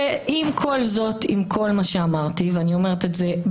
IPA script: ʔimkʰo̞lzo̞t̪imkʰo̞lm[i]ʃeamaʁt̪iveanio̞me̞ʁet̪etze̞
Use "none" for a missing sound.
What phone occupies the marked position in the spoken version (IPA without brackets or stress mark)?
a